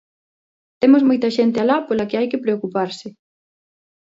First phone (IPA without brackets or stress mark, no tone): t̪